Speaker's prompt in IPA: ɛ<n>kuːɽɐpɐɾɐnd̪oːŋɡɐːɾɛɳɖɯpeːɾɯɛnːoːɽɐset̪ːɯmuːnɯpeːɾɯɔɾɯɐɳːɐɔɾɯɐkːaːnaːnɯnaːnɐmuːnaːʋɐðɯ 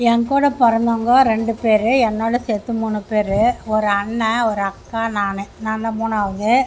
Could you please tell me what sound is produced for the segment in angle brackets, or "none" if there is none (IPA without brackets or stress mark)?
ŋ